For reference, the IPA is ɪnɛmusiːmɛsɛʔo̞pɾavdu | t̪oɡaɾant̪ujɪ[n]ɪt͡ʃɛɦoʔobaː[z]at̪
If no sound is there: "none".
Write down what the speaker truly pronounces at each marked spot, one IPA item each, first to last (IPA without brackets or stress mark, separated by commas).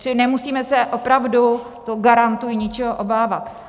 ɲ, v